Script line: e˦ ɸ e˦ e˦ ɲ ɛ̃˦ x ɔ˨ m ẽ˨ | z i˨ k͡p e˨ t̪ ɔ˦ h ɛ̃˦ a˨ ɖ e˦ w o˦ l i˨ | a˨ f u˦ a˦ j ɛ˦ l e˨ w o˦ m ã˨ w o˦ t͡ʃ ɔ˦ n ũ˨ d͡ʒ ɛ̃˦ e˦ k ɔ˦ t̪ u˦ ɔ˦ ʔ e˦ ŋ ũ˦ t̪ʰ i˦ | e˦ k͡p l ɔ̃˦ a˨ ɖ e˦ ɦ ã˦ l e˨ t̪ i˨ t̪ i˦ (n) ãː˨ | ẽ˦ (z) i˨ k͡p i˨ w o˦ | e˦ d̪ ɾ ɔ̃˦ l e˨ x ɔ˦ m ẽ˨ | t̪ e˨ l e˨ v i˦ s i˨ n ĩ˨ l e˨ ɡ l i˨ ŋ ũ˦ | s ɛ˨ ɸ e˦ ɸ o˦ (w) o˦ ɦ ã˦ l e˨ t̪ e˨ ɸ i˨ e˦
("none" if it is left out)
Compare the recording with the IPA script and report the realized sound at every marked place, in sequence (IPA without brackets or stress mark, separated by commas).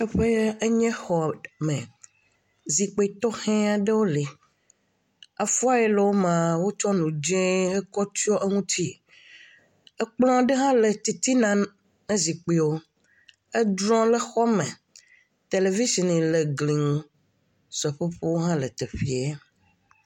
n, z, w